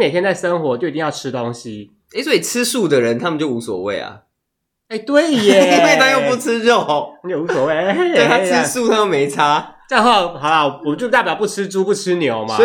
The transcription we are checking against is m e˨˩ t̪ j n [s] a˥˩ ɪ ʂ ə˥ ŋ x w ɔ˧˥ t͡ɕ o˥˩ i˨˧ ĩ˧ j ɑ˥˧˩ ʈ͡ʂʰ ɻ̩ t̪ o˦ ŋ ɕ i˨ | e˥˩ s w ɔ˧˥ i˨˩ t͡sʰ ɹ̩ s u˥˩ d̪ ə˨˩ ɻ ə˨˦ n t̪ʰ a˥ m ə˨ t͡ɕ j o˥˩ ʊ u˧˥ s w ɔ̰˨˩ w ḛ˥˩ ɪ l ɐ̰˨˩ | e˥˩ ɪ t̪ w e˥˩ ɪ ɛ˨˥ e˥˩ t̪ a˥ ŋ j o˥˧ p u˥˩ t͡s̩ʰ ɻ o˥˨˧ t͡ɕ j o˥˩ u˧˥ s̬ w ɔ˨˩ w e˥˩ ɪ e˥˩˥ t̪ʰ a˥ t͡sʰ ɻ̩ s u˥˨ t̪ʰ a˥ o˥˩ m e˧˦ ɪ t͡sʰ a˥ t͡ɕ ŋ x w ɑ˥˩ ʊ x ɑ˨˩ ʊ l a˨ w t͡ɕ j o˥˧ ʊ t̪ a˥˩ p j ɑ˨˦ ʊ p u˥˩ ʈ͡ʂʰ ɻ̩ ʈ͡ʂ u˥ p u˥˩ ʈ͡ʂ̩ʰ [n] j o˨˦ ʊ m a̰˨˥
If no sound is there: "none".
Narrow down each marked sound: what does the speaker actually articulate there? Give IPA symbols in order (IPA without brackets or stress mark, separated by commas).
t͡s, n